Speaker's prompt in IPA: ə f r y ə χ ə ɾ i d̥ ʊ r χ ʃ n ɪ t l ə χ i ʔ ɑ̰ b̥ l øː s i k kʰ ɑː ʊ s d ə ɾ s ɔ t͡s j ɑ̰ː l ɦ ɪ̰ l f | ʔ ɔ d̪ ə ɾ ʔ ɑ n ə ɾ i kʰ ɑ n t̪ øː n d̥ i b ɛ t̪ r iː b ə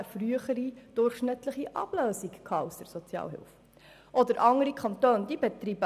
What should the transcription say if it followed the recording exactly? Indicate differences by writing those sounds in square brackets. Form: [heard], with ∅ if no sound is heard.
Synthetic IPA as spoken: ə f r y ə χ ə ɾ i d̥ ʊ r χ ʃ n ɪ t l ə χ i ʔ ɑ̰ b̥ l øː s i k kʰ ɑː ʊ s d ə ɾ s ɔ t͡s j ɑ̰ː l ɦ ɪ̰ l f | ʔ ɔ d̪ ə ɾ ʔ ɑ [ŋ] ə ɾ i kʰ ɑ n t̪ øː n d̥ i b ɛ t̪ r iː b ə